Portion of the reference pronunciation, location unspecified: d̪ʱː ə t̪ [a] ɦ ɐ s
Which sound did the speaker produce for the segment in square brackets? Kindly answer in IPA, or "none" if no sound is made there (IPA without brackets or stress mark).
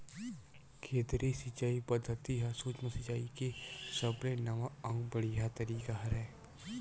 i